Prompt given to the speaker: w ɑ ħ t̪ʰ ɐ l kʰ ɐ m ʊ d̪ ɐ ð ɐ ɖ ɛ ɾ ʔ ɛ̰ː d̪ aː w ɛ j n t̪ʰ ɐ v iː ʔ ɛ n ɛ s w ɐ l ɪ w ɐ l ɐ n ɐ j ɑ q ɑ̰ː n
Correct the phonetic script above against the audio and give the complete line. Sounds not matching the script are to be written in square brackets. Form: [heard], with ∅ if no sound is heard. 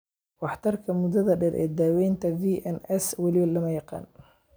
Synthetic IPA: w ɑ ħ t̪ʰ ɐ [r] kʰ ɐ m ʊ d̪ ɐ ð ɐ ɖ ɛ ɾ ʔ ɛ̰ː d̪ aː w ɛ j n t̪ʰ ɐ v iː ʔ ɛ n ɛ s w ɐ l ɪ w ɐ l ɐ [m] ɐ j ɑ q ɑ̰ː n